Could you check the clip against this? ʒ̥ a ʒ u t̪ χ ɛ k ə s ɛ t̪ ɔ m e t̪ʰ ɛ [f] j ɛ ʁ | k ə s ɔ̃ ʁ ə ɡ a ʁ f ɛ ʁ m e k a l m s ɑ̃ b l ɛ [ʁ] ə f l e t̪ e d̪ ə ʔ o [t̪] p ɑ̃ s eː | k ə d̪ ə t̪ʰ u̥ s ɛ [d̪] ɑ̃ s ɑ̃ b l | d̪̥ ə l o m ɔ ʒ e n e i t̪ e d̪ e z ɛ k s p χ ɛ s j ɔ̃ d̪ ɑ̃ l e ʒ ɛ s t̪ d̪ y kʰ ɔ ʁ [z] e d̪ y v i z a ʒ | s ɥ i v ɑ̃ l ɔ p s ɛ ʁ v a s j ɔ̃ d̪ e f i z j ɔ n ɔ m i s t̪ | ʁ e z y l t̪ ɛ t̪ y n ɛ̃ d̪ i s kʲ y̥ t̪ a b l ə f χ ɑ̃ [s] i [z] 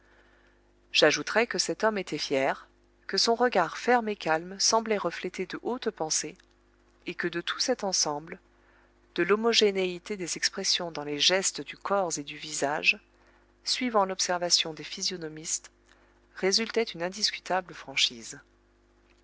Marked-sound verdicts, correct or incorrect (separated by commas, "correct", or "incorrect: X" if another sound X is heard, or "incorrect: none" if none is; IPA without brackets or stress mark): correct, correct, correct, incorrect: t̪, correct, incorrect: ʃ, correct